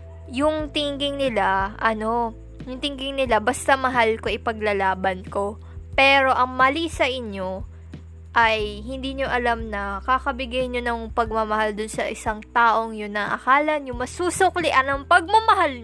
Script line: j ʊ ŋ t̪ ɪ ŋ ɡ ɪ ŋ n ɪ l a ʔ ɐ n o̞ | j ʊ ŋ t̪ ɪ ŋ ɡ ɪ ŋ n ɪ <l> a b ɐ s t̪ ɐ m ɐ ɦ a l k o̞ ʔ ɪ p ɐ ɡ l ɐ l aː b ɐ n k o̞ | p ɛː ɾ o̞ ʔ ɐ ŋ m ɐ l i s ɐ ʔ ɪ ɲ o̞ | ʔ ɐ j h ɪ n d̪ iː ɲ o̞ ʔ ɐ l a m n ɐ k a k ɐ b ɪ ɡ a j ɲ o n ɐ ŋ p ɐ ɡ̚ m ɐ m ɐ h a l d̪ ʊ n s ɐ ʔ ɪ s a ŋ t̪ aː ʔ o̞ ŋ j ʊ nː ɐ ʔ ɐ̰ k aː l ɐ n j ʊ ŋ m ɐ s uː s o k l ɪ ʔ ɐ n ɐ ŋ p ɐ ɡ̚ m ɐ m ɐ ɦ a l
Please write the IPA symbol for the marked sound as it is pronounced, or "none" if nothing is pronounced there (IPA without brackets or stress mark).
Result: l